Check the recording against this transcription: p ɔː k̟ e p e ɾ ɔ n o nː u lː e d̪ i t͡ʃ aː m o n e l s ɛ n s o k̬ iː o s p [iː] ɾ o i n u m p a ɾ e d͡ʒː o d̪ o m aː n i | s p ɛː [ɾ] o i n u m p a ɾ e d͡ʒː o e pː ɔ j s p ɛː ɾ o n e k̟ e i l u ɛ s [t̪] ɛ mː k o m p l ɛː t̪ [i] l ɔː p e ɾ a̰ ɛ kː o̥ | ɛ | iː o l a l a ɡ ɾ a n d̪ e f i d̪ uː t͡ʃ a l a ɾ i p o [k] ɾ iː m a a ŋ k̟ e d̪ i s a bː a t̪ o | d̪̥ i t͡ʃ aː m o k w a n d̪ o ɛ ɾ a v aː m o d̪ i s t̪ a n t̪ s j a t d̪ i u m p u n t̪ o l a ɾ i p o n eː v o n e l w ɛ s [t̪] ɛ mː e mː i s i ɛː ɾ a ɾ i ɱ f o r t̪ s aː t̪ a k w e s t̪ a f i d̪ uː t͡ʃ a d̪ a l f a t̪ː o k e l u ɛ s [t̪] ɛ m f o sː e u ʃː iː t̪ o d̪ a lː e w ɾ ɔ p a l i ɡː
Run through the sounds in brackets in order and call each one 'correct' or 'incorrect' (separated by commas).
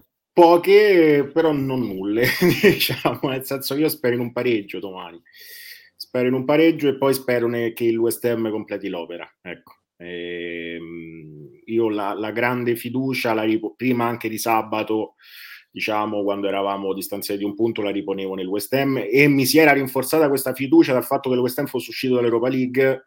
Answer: incorrect, correct, correct, correct, incorrect, correct, correct